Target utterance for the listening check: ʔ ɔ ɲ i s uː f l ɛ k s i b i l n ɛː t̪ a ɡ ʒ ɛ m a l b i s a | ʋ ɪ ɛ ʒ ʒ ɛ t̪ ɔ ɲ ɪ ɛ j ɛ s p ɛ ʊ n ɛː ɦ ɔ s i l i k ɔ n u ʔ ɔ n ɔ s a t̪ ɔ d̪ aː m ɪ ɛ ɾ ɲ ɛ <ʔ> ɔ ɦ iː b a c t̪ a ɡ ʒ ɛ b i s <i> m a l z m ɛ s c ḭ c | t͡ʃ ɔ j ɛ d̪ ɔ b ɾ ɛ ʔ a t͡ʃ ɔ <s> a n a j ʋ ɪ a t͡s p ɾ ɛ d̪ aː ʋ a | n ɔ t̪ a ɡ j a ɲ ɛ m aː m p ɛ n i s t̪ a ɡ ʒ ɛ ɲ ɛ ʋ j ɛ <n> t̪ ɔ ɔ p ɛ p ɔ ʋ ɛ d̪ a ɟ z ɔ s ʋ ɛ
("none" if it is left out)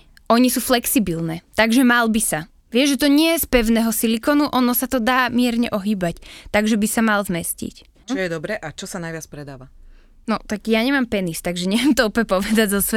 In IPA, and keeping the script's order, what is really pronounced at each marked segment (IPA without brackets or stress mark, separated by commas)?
ʔ, a, s, m